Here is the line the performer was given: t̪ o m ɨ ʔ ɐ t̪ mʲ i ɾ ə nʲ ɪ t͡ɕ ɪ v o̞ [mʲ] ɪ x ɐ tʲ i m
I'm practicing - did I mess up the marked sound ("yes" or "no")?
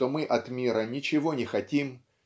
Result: yes